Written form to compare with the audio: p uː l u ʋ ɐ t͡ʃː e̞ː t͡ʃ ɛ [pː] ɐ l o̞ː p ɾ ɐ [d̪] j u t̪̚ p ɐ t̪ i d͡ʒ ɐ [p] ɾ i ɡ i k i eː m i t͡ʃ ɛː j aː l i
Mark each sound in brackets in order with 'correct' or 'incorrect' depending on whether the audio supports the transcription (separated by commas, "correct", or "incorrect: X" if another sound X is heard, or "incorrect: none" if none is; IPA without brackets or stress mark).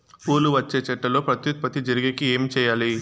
incorrect: ʈː, incorrect: t̪, incorrect: none